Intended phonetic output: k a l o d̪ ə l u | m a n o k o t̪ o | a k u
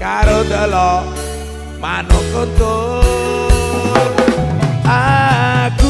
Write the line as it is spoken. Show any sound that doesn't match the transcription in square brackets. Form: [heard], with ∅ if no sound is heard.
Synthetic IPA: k a [ɾ] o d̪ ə l [ɔ] | m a n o k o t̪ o | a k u